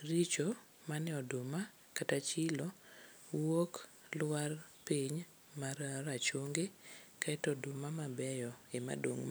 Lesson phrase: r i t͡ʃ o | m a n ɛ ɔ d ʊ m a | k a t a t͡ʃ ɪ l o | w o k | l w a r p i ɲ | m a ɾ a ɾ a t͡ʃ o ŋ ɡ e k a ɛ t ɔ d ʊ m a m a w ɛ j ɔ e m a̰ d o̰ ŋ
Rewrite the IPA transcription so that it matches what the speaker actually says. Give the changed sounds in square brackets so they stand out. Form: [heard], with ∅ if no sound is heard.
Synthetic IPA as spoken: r i t͡ʃ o | m a n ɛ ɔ d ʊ m a | k a t a t͡ʃ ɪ l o | w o k | l w a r p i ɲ | m a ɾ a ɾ a t͡ʃ o ŋ ɡ e k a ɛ t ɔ d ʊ m a m a [b] ɛ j ɔ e m a̰ d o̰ ŋ